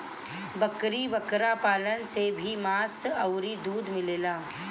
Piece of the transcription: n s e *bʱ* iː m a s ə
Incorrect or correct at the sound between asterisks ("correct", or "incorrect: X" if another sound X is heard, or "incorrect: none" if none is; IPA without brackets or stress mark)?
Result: correct